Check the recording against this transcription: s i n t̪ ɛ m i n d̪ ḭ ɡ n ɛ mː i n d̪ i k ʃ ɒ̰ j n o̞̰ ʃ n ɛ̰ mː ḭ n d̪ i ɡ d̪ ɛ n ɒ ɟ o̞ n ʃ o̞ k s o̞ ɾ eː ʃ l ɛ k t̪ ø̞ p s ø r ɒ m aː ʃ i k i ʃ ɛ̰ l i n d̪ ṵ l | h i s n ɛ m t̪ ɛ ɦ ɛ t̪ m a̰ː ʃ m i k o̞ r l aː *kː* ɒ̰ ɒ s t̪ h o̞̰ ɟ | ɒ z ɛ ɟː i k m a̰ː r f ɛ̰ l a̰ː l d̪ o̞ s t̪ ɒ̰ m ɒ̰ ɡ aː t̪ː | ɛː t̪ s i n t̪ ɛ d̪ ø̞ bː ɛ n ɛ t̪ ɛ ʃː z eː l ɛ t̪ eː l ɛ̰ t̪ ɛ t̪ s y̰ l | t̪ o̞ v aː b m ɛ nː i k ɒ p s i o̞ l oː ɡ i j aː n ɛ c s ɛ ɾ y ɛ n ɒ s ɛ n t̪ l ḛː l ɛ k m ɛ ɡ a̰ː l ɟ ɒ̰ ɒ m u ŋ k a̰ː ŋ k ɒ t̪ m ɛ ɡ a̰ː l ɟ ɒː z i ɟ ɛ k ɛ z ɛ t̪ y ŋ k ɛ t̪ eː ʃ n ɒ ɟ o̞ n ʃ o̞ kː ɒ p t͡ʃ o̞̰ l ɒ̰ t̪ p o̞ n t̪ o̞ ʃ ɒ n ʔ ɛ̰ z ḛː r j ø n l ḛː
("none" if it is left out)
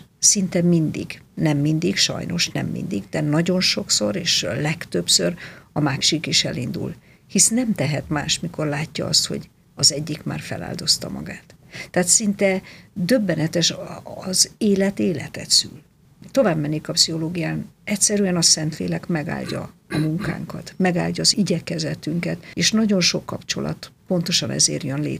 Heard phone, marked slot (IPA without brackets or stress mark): cː